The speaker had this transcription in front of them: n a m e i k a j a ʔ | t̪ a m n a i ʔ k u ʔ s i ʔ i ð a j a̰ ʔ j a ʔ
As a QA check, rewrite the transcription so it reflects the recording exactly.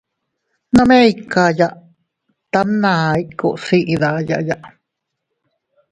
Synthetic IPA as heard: n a m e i k a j a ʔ | t̪ a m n a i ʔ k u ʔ s i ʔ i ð a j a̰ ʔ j a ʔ